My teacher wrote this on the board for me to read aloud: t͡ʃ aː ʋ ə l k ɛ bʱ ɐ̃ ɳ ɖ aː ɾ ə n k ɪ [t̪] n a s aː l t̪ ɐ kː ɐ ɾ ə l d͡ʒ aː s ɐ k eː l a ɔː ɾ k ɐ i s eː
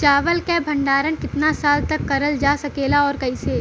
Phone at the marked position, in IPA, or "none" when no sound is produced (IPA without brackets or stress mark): t̪